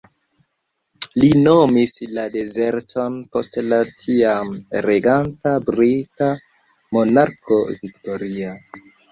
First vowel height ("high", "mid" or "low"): high